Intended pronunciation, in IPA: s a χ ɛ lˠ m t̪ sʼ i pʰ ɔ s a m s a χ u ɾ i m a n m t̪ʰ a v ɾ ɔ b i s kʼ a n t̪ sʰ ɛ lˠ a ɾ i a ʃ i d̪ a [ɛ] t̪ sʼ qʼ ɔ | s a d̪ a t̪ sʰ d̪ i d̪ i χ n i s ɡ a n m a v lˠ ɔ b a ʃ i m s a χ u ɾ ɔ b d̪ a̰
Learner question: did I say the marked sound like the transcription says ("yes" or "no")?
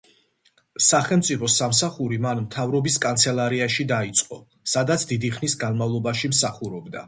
no